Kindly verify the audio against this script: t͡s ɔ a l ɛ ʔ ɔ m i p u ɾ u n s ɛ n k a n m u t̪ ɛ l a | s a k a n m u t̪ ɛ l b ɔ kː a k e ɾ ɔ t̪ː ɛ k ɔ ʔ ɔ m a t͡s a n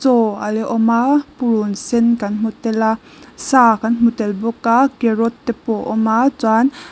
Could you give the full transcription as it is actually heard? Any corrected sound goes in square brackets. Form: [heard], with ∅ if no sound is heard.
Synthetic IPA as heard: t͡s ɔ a l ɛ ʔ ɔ m [a] p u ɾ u n s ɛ n k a n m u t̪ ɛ l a | s a k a n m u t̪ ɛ l b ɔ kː a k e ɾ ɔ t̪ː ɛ [p] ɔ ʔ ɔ m a t͡s a n

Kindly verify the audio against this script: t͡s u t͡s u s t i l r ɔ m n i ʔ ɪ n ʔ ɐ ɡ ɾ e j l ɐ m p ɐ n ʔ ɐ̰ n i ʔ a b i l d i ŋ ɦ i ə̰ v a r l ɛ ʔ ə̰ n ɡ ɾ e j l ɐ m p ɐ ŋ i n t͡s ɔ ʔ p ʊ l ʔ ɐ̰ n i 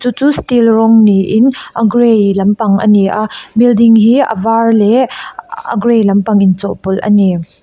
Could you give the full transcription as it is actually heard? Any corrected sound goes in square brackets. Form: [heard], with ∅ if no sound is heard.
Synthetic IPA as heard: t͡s u t͡s u s t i l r ɔ [ŋ] n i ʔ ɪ n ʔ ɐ ɡ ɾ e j l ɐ m p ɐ [ŋ] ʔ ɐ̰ n i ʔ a b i l d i ŋ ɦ i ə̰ v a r l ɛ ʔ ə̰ [∅] ɡ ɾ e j l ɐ m p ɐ ŋ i n t͡s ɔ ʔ p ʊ l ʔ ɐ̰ n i

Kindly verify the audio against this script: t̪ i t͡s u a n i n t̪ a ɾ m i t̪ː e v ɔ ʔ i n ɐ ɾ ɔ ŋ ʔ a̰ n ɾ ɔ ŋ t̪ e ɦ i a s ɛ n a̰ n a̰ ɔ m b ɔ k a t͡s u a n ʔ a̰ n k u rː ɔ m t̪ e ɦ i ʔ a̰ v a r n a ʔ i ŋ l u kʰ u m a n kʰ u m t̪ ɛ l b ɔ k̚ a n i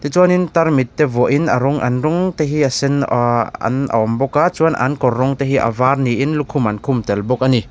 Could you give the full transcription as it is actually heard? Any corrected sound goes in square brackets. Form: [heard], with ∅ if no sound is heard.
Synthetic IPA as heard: t̪ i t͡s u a n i n t̪ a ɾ m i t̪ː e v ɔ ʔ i n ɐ ɾ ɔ ŋ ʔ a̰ n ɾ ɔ ŋ t̪ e ɦ i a s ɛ n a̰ n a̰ ɔ m b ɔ k a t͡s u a n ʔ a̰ n k [ɔ] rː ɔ [ŋ] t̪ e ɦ i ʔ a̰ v a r n [i] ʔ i [n] l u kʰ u m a n kʰ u m t̪ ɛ l b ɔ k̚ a n i

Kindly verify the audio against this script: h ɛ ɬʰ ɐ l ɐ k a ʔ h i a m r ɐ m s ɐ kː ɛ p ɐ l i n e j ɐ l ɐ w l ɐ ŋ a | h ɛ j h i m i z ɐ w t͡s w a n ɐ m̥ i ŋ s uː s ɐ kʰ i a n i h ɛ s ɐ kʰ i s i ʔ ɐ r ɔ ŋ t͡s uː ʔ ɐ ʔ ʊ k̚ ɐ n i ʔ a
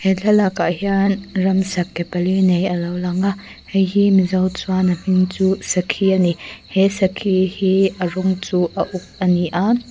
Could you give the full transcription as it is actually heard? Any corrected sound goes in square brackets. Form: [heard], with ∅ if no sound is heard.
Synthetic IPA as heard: h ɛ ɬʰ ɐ l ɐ k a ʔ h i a [n] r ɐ m s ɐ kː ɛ p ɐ l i n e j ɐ l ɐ w l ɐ ŋ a | h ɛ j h i m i z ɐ w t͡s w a n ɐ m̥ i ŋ [t͡s] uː s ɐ kʰ i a n i h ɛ s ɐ kʰ i [h] i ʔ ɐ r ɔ ŋ t͡s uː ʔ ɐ ʔ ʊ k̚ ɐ n i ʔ a

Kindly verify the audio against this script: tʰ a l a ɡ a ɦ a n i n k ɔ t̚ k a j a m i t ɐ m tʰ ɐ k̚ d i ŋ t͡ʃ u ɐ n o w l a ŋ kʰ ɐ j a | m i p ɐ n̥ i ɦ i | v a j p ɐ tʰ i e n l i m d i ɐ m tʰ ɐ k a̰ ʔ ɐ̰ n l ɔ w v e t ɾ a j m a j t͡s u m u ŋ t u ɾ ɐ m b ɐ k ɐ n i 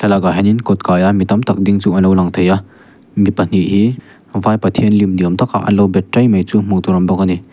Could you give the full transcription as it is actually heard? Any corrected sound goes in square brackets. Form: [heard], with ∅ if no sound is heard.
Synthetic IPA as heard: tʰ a l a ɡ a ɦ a n i n k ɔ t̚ k a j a m i t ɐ m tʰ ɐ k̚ d i ŋ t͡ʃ u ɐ n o w l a ŋ [tʰ] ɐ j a | m i p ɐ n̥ i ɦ i | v a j p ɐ tʰ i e n l i m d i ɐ m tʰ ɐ k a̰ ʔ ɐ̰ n l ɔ w [b] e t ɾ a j m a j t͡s u m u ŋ t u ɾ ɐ m b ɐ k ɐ n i

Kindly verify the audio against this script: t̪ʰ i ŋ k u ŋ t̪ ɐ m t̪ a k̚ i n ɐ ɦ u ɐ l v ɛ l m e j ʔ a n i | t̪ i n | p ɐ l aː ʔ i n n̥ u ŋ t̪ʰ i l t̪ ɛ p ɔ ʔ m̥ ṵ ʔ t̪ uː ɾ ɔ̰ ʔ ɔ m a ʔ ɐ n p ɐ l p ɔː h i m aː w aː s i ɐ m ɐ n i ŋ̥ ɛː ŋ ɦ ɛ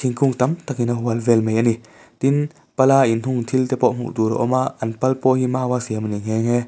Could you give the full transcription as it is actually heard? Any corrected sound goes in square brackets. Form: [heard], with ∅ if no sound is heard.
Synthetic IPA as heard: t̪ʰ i ŋ k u ŋ t̪ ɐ m t̪ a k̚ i n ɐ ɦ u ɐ l v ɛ l m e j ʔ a n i | t̪ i n | p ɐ l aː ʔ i n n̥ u ŋ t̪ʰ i l t̪ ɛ p ɔ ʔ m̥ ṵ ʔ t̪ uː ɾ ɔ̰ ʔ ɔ m a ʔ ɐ n p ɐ l p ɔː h i m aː w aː s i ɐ m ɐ n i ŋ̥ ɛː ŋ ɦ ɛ

